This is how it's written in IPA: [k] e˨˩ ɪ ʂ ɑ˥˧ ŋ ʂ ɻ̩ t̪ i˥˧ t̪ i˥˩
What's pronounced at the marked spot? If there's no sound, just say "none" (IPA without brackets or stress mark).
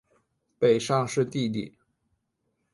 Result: p